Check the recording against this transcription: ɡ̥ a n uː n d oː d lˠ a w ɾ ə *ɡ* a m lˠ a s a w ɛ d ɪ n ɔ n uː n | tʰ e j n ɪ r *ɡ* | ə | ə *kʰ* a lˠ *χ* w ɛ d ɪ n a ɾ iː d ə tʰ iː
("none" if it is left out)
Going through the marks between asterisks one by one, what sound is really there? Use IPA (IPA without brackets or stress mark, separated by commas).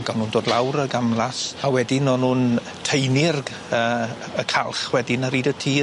ɡ, ɡ, kʰ, χ